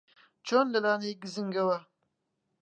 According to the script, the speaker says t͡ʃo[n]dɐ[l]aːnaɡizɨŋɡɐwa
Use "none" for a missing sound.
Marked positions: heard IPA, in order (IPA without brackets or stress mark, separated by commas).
n, l